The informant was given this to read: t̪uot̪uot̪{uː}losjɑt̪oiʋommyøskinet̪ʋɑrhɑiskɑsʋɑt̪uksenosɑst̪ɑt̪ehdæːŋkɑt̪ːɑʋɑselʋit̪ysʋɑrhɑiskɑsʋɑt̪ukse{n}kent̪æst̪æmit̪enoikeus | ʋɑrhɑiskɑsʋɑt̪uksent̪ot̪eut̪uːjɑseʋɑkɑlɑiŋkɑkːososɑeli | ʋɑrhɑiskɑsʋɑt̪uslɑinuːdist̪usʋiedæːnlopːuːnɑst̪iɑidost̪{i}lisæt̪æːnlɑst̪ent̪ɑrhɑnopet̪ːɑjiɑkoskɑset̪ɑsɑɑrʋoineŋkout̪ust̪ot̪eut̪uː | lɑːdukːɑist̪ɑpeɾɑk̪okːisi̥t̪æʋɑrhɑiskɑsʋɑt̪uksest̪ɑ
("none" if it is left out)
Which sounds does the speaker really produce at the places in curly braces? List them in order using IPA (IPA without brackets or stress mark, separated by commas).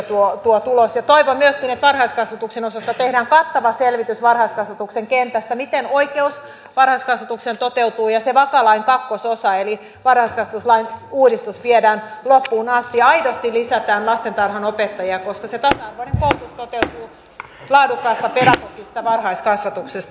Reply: u, ŋ, i